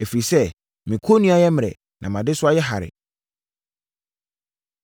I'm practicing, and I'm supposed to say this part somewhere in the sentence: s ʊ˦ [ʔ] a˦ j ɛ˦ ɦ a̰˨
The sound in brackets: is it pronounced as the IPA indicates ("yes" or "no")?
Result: no